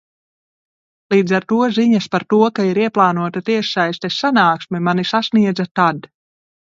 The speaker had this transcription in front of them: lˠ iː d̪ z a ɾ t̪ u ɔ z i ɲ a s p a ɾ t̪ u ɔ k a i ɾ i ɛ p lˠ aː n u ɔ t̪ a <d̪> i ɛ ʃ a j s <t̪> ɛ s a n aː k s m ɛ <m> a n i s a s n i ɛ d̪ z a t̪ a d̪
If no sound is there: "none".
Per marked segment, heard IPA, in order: t̪, t̪, m

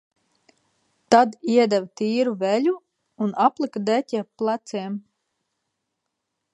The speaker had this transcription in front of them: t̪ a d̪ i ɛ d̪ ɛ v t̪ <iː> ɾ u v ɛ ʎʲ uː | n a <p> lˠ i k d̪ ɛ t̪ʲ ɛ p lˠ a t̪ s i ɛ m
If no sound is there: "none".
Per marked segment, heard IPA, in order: iː, p

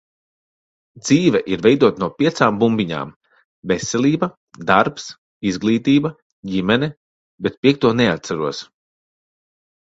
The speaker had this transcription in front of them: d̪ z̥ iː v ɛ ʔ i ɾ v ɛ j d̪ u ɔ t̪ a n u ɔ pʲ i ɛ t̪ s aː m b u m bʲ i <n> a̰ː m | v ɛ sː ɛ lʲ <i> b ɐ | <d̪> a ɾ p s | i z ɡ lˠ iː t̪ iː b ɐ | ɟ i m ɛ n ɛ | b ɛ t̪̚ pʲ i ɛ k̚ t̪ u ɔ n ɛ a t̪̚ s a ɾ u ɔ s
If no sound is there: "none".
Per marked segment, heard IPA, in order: ɲ, iː, d̪

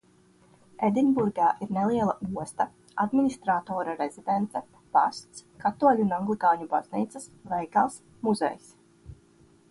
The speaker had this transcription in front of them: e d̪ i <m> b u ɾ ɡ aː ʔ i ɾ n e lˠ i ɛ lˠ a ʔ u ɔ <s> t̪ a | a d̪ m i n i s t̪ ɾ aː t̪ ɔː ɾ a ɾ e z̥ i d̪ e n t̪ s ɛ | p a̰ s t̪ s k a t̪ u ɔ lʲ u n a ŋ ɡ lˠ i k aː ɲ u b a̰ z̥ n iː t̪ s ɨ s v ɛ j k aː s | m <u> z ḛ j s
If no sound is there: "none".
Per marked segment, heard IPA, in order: n, s, u

